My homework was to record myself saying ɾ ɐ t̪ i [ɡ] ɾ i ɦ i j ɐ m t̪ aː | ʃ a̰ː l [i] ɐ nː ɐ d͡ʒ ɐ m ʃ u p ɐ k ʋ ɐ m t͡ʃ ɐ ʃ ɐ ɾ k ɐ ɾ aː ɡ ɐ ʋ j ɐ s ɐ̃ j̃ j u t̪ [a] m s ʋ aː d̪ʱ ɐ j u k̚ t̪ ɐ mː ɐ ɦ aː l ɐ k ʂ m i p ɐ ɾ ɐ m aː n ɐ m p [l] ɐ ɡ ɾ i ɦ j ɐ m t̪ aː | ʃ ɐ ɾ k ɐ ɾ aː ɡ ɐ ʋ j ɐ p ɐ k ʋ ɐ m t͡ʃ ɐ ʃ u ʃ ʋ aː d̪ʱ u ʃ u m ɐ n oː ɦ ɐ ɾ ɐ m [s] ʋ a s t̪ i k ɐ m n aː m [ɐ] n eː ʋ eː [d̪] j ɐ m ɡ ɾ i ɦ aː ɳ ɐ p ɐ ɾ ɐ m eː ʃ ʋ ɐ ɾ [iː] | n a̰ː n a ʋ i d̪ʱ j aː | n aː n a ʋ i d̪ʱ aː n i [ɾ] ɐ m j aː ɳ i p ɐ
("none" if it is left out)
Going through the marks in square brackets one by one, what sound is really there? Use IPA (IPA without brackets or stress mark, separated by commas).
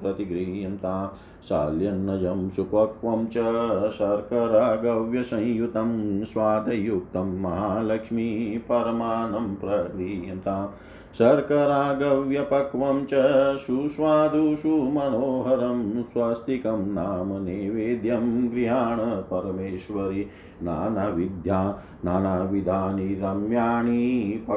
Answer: ɡ, j, ɐ, ɾ, s, ɐ, d̪, i, ɾ